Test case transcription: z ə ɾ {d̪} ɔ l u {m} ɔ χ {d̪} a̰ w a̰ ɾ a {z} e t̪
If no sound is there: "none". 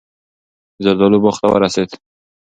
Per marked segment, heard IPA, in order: d̪, b, t̪, s

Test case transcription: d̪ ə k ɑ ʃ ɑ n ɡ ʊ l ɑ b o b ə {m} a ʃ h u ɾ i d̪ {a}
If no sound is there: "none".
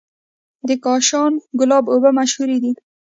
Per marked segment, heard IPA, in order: m, i

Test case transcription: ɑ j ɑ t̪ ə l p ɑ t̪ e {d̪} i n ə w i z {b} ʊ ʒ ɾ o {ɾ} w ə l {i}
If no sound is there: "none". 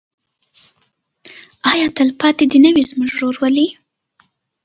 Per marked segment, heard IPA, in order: d̪, m, ɾ, i

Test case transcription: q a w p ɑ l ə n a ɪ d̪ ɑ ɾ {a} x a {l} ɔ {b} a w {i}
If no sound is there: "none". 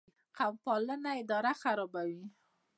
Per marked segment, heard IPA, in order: a, ɾ, b, i

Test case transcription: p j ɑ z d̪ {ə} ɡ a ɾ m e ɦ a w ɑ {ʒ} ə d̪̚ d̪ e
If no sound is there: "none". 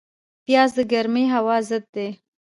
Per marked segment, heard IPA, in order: ə, z

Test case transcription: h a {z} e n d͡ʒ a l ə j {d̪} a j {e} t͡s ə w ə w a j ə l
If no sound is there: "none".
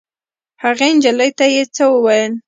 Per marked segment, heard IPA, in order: ɣ, t̪, e

